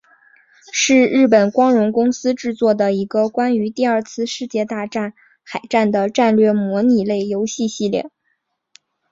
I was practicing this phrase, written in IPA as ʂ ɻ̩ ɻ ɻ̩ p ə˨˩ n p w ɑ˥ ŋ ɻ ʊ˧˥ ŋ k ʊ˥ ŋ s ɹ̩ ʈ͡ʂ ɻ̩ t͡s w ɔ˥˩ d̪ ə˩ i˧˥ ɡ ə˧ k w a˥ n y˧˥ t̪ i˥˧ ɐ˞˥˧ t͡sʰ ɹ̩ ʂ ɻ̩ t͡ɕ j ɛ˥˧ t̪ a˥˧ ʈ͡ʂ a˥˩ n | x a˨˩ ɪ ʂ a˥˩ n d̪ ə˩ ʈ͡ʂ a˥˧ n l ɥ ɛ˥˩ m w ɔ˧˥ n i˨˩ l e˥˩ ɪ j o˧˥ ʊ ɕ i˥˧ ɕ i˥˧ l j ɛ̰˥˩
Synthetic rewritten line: ʂ ɻ̩ ɻ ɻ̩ p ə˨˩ n k w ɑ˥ ŋ ɻ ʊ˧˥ ŋ k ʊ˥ ŋ s ɹ̩ ʈ͡ʂ ɻ̩ t͡s w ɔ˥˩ d̪ ə˩ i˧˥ ɡ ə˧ k w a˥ n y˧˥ t̪ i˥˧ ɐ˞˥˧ t͡sʰ ɹ̩ ʂ ɻ̩ t͡ɕ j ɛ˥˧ t̪ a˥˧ ʈ͡ʂ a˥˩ n | x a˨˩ ɪ ʈ͡ʂ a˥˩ n d̪ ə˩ ʈ͡ʂ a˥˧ n l ɥ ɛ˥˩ m w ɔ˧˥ n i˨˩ l e˥˩ ɪ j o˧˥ ʊ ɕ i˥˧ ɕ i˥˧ l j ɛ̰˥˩